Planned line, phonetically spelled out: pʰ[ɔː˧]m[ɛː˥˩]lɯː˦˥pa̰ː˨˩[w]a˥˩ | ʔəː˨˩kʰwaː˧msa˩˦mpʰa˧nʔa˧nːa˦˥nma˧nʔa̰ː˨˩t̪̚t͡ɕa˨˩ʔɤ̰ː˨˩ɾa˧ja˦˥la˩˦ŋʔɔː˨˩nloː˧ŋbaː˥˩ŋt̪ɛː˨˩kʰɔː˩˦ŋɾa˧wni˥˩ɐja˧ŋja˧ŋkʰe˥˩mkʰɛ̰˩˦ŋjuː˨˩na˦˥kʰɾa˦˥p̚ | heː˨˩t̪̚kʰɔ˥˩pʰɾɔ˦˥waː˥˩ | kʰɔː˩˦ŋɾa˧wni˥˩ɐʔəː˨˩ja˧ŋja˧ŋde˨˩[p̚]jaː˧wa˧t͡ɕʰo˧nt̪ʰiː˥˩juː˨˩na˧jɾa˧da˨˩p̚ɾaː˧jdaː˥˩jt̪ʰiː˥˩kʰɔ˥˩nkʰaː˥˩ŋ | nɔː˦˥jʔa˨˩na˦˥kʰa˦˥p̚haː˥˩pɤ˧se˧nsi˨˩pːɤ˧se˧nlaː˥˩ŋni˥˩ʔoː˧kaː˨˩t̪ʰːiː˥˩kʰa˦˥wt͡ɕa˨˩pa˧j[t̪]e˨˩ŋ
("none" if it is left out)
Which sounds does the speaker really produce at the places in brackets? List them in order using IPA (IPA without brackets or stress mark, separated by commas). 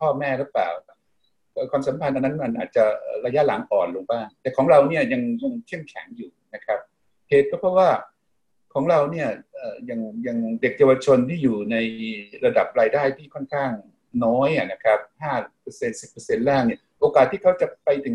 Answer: ɔː˥˩, ɛː˥˩, w, k̚, t̪